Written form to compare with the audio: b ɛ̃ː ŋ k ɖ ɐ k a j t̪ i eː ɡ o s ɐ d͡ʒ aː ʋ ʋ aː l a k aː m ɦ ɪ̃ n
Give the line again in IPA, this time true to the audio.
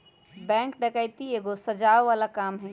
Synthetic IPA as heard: b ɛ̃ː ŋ k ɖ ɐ k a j t̪ i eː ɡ o s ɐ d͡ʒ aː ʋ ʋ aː l a k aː m ɦ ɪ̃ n